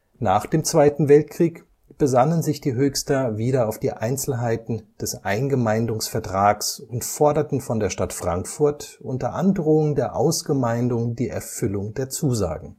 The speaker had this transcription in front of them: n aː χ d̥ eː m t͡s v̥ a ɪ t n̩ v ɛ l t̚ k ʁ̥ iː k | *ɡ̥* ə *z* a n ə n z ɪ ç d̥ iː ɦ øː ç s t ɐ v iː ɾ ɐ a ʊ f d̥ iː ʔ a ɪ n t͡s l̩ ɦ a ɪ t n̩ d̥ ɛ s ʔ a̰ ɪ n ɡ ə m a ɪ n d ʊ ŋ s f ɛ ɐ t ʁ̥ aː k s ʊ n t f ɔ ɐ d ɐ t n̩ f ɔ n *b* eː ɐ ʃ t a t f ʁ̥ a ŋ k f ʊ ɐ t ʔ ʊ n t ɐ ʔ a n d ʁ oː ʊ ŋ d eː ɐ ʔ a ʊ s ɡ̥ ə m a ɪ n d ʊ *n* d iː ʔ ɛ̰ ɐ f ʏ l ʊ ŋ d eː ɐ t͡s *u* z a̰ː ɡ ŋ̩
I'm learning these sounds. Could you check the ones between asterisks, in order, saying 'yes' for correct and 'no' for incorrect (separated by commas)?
no, yes, no, no, no